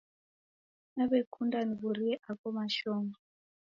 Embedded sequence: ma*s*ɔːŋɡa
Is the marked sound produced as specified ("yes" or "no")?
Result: no